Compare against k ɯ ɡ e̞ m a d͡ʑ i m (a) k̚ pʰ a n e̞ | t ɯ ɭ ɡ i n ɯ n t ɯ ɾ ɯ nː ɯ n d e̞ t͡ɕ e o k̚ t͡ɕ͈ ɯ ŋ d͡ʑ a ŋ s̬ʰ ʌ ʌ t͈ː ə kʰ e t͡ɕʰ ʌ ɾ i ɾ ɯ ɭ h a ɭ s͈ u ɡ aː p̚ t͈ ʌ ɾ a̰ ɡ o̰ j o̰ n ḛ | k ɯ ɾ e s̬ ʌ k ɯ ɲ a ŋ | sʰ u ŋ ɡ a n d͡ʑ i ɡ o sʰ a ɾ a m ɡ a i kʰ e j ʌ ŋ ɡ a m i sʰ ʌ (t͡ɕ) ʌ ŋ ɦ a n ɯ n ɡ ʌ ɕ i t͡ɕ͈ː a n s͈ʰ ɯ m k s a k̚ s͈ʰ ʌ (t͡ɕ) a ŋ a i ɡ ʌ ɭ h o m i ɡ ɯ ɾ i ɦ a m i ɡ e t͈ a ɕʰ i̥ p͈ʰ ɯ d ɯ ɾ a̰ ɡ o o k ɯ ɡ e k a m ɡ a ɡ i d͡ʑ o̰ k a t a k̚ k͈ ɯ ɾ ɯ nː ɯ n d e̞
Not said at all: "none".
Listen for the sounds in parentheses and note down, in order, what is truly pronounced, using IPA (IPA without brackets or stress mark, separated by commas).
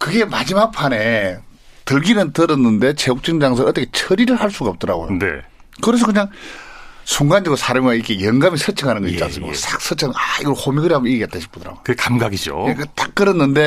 a, t͡ɕʰ, t͡ɕʰ